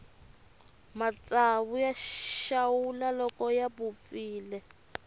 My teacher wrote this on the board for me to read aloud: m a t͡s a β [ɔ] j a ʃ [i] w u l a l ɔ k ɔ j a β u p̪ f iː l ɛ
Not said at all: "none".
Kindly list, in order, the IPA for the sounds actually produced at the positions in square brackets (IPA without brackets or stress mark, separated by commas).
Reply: u, a